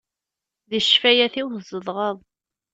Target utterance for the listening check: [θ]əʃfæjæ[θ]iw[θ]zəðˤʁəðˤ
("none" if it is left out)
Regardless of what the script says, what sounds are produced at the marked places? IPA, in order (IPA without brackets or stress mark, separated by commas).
ð, θ, θ